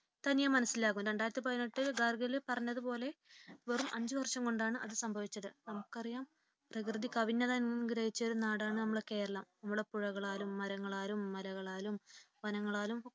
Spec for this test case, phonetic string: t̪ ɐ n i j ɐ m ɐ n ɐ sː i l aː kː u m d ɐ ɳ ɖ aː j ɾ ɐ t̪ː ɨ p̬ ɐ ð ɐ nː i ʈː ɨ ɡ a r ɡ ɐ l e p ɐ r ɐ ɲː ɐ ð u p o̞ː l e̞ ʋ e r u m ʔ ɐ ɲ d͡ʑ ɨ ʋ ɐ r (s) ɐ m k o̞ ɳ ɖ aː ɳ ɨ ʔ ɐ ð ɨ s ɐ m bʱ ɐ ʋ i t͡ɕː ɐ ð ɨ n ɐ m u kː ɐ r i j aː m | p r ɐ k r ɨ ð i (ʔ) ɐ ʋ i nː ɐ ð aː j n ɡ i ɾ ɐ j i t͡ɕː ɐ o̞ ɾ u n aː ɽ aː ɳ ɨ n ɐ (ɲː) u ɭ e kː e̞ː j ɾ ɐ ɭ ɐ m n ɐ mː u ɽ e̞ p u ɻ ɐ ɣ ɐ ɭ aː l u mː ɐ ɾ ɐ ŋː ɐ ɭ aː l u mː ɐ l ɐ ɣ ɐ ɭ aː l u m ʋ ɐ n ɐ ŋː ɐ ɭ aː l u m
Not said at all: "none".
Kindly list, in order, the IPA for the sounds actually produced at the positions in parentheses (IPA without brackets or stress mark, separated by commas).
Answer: ʂ, k, mː